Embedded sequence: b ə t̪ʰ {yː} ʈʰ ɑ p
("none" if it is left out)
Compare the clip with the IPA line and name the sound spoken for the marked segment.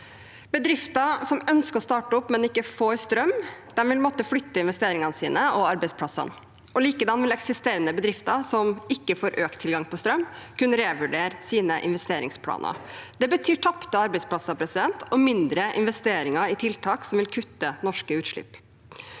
yː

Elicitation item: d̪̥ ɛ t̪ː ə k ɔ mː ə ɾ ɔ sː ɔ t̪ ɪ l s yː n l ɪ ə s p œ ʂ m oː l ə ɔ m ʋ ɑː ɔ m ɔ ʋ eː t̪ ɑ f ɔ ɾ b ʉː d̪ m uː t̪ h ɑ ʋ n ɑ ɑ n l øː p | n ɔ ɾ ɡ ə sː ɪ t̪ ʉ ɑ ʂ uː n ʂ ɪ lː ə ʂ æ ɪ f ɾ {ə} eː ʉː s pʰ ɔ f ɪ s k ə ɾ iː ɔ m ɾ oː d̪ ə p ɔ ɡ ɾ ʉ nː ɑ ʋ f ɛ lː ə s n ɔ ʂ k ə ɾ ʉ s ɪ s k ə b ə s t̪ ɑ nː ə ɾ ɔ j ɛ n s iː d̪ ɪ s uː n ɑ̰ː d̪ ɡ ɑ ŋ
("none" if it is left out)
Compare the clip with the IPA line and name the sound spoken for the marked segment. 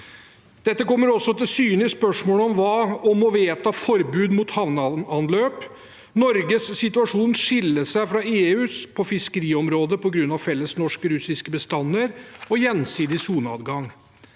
ɑ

